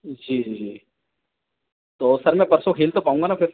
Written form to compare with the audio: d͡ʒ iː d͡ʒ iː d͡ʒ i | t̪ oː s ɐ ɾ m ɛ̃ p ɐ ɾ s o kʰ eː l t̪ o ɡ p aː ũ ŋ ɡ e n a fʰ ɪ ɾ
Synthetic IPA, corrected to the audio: d͡ʒ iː d͡ʒ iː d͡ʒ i | t̪ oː s ɐ ɾ m ɛ̃ p ɐ ɾ s o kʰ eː l t̪ o p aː ũ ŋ ɡ a n a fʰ ɪ ɾ